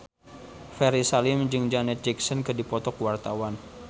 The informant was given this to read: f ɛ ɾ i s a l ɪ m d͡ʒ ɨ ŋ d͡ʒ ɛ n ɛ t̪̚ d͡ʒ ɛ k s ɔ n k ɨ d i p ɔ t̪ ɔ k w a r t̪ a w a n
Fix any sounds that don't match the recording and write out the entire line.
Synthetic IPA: f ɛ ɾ i s a l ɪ m d͡ʒ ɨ ŋ d͡ʒ a n ɛ t̪̚ d͡ʒ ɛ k s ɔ n k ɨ d i p ɔ t̪ ɔ k w a r t̪ a w a n